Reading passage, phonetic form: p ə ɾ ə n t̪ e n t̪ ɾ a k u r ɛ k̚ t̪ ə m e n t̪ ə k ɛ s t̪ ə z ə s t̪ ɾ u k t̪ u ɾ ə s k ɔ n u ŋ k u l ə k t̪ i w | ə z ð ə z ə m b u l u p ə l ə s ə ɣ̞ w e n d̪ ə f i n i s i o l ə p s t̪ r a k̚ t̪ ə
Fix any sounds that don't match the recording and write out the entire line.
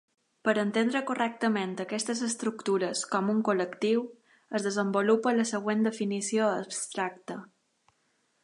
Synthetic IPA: p ə ɾ ə n t̪ e n d̪ ɾ ə k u r ɛ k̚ t̪ ə m e n t̪ ə k ɛ s t̪ ə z ə s t̪ ɾ u k t̪ u ɾ ə s k ɔ m u ŋ k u l ə k t̪ i w | ə z ð ə z ə m b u l u p ə l ə s ə ɣ̞ w e n d̪ ə f i n i s i o ə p s t̪ ɾ a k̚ t̪ ə